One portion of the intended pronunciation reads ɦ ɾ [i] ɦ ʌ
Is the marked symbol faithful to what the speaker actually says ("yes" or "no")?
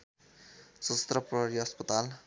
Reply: yes